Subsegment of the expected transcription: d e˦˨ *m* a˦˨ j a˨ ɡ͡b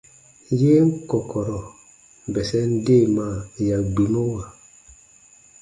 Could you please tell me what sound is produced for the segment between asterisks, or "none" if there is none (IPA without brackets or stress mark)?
m